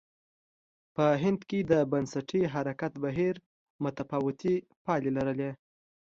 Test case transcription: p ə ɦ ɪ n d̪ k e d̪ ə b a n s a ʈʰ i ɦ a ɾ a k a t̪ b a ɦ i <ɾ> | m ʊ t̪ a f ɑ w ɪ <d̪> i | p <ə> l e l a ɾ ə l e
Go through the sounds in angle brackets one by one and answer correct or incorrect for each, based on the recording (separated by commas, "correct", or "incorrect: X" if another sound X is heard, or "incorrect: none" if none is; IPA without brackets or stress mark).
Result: correct, incorrect: t̪, incorrect: ɑ